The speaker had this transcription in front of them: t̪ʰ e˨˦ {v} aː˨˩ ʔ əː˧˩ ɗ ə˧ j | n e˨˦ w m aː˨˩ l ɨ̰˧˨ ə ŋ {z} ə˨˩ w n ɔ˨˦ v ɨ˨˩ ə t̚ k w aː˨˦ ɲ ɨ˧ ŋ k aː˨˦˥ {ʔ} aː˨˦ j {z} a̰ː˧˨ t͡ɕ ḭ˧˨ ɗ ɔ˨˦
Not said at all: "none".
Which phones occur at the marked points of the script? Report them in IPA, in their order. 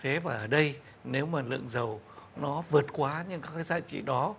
v, z, k, z

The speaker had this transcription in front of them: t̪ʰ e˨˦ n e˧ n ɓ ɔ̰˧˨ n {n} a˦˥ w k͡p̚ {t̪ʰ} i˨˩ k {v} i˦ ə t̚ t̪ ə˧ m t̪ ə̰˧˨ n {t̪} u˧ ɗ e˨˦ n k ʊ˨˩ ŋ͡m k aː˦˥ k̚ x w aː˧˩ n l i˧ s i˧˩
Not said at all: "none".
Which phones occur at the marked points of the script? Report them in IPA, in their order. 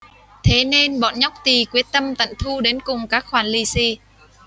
ɲ, t̪, w, t̪ʰ

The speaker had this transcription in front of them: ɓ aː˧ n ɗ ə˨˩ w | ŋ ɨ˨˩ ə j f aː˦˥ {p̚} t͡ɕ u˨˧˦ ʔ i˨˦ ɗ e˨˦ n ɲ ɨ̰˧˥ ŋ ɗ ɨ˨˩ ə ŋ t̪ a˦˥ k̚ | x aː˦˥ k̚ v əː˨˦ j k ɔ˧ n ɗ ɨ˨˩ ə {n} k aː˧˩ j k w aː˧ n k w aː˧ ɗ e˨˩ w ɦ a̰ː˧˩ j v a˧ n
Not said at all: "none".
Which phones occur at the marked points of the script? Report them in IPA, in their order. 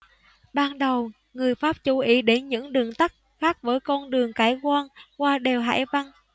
p̚, ŋ

